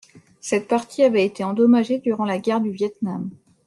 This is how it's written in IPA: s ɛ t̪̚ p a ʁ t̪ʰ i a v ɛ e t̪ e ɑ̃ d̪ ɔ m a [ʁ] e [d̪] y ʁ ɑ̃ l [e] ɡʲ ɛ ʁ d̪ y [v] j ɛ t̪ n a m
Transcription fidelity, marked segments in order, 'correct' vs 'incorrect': incorrect: ʒ, correct, incorrect: a, correct

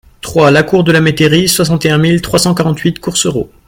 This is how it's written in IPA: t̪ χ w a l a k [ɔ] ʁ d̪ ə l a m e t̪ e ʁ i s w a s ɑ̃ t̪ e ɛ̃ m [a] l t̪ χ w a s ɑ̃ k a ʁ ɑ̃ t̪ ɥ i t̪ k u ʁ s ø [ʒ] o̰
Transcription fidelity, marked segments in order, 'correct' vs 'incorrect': incorrect: u, incorrect: i, incorrect: ʁ

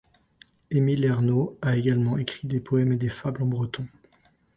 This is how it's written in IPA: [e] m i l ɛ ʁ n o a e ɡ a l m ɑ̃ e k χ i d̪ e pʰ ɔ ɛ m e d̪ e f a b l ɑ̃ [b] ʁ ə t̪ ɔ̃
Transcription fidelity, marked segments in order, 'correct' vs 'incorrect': correct, correct

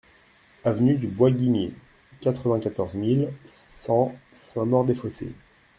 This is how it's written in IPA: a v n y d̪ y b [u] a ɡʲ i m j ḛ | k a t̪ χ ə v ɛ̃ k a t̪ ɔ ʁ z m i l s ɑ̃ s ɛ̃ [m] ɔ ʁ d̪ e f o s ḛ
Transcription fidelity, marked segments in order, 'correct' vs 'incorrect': incorrect: w, correct

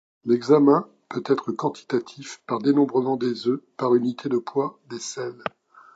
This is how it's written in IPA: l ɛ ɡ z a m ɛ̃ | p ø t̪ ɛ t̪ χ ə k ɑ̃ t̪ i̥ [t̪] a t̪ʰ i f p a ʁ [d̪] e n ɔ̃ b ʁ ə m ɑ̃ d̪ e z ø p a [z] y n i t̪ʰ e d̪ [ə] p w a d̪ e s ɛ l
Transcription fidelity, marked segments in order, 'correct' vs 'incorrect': correct, correct, incorrect: ʁ, correct

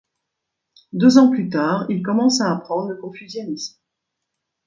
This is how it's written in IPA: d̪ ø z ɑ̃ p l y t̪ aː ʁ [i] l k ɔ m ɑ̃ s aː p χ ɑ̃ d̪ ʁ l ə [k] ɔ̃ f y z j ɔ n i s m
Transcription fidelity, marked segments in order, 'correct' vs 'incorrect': correct, correct

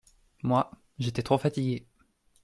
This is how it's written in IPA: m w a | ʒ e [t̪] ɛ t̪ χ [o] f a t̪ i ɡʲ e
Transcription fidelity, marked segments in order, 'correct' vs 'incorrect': correct, correct

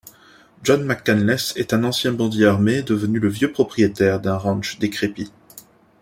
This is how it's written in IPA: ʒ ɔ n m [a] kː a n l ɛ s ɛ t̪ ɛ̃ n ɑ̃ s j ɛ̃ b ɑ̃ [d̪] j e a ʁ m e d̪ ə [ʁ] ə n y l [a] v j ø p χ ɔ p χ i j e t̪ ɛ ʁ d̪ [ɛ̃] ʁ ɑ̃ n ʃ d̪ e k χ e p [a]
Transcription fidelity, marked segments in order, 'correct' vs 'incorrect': correct, correct, incorrect: v, incorrect: ə, correct, incorrect: i

